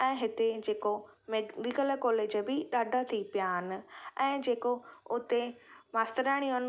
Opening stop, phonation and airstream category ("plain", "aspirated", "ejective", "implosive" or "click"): plain